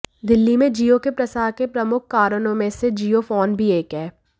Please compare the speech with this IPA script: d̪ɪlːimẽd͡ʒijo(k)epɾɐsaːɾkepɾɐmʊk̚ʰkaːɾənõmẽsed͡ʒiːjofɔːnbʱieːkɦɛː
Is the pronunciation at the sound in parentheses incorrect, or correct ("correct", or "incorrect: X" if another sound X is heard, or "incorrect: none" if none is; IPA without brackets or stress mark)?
correct